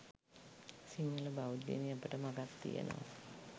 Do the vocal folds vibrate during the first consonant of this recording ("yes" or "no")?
no